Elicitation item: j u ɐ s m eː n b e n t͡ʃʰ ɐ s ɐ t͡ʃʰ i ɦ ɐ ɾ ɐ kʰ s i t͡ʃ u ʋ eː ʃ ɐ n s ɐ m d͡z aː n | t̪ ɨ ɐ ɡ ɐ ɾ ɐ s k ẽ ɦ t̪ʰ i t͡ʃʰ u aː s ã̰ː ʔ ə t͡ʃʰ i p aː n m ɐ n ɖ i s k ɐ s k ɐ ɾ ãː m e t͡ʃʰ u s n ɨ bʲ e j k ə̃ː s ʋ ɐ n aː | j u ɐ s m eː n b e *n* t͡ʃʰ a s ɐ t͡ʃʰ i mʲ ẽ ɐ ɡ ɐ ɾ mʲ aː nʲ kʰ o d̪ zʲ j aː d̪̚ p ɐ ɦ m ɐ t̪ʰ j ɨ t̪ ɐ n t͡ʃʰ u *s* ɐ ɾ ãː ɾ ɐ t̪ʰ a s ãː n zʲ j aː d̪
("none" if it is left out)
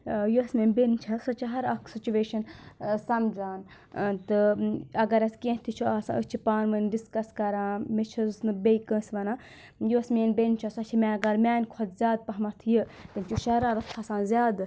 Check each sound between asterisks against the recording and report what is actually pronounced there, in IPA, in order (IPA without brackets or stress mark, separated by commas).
n, ʃ